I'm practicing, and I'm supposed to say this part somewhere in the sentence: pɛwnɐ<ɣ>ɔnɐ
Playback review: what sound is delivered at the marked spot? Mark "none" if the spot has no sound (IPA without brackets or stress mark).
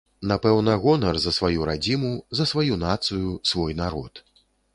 ɣ